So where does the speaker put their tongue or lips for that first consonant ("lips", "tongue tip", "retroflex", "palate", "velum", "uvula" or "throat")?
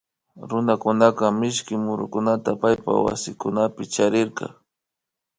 tongue tip